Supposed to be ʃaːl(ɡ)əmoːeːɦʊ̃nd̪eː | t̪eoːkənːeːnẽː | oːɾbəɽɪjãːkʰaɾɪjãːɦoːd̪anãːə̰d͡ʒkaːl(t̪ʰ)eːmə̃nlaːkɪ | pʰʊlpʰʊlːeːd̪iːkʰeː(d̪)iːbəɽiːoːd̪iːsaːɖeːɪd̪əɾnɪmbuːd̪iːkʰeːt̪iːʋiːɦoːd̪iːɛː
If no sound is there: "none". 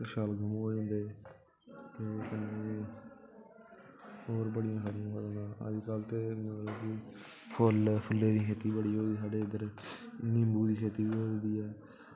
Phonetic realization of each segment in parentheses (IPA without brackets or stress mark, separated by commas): ɡ, t̪, t̪